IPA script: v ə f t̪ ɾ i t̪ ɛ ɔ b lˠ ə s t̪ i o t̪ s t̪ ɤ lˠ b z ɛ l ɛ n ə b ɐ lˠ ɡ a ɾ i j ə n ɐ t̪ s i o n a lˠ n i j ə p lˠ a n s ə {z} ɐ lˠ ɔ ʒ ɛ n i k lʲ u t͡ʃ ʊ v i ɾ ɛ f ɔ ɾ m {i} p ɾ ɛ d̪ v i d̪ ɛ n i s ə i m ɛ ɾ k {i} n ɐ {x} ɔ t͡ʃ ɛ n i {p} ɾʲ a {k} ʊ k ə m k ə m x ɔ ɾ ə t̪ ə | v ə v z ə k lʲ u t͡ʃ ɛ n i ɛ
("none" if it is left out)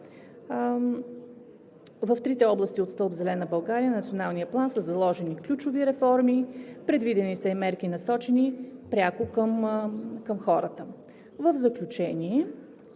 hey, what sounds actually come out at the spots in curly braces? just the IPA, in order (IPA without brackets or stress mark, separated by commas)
z, i, i, s, p, k